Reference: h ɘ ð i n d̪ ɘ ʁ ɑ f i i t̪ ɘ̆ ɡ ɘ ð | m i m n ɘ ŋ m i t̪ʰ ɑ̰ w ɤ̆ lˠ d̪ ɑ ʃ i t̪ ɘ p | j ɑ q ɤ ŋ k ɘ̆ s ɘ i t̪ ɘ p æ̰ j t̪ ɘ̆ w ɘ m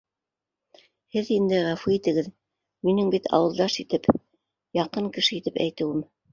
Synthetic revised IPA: h ɘ ð i n d̪ ɘ ʁ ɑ f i i t̪ ɘ̆ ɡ ɘ ð | m i n ɘ ŋ b i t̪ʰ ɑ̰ w ɤ̆ lˠ d̪ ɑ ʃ i t̪ ɘ p | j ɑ q ɤ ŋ k ɘ̆ ʃ ɘ i t̪ ɘ p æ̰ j t̪ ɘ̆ w ɘ m